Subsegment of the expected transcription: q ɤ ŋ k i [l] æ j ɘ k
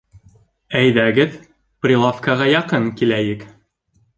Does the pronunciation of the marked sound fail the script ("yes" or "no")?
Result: no